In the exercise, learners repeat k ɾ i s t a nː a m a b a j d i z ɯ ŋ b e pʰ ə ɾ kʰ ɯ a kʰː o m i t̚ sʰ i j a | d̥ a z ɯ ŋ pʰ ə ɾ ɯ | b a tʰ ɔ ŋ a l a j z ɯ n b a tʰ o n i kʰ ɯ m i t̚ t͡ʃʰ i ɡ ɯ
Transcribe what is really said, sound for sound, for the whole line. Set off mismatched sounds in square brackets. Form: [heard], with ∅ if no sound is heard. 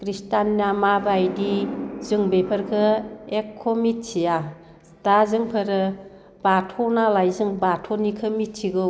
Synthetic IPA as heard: k ɾ i s t a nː a m a b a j d i z ɯ ŋ b e pʰ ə ɾ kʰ ɯ [e] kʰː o m i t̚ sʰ i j a | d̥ a z ɯ ŋ pʰ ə ɾ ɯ | b a tʰ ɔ [n] a l a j z ɯ [ŋ] b a tʰ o n i kʰ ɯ m i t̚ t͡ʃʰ i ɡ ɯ